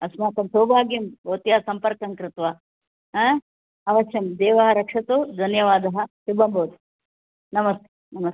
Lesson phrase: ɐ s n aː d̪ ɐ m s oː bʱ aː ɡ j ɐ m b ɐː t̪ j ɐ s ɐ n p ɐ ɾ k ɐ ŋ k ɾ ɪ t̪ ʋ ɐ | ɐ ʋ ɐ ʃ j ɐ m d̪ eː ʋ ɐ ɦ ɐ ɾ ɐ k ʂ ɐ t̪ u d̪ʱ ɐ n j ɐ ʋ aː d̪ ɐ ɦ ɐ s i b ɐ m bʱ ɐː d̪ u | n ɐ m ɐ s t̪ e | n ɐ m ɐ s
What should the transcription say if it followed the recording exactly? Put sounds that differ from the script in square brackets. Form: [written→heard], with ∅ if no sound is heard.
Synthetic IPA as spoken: ɐ s [n→m] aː [d̪→t̪] ɐ m s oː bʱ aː ɡ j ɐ m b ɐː t̪ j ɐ s ɐ [n→m] p ɐ ɾ k ɐ ŋ k ɾ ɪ t̪ ʋ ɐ | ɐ ʋ ɐ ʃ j ɐ m d̪ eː ʋ ɐ ɦ ɐ ɾ ɐ k ʂ ɐ t̪ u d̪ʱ ɐ n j ɐ ʋ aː d̪ ɐ ɦ ɐ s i b ɐ m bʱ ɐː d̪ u | n ɐ m ɐ s t̪ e | n ɐ m ɐ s